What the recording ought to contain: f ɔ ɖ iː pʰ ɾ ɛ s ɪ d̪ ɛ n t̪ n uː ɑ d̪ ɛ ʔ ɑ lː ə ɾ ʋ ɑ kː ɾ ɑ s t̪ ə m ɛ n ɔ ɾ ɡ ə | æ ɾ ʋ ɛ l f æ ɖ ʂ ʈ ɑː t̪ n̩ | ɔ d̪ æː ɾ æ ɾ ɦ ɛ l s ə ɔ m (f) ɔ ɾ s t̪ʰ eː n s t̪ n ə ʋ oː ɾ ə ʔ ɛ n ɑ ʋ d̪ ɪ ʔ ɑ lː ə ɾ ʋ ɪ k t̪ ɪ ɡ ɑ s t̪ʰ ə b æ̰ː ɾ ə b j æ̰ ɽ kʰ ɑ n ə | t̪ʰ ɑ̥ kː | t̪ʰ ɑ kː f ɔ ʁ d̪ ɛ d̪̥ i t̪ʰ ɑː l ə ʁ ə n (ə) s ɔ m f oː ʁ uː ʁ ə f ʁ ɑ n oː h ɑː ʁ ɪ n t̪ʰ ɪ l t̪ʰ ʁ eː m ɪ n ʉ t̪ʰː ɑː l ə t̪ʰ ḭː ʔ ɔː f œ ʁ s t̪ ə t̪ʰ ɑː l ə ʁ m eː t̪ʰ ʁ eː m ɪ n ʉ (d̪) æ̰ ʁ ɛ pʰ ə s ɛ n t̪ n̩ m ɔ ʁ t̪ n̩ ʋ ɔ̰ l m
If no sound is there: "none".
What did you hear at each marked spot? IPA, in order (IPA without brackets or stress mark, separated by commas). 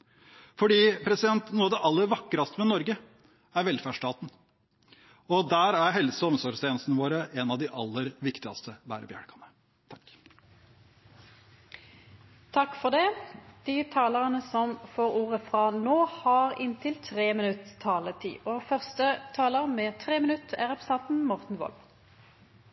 s, ə, t̪